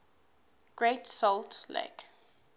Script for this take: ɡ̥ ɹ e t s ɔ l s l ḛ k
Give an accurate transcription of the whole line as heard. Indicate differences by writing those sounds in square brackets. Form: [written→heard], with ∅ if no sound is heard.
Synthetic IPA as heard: ɡ̥ ɹ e t s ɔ l [s→t] l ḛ k